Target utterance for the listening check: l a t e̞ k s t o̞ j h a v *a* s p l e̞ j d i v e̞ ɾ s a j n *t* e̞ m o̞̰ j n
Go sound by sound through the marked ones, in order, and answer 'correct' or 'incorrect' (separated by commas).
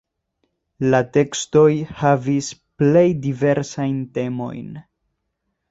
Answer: incorrect, correct